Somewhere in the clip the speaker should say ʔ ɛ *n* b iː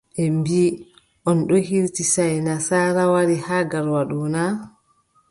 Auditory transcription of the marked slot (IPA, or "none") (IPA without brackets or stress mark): m